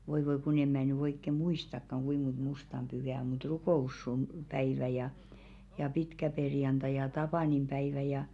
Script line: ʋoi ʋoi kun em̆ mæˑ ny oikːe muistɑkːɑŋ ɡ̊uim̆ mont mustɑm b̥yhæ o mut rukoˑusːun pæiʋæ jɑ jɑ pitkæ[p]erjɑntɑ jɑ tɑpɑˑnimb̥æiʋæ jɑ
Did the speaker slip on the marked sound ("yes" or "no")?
no